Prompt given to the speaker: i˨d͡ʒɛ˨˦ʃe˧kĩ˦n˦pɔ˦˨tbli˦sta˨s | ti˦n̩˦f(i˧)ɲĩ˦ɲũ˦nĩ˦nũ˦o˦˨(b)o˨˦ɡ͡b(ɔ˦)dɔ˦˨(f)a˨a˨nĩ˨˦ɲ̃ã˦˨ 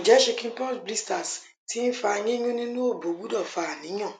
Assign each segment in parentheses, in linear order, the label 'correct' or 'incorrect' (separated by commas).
incorrect, correct, incorrect, correct